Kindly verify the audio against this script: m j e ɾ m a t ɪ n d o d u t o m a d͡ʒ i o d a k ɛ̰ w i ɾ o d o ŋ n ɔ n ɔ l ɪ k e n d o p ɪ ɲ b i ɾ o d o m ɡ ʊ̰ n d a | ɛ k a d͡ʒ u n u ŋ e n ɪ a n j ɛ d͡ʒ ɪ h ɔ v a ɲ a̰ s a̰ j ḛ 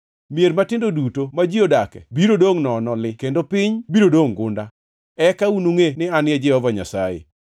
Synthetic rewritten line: m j e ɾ m a t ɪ n d o d u t o m a d͡ʒ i o d a k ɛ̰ b i ɾ o d o ŋ n ɔ n ɔ l ɪ k e n d o p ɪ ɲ b i ɾ o d o ŋ ɡ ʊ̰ n d a | ɛ k a u n u ŋ e n ɪ a n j ɛ d͡ʒ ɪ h ɔ v a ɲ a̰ s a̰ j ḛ